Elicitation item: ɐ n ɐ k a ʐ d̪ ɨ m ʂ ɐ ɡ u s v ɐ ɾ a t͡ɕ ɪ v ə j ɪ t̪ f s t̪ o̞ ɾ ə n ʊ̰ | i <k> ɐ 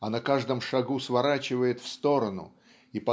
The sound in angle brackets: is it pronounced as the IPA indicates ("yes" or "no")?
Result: no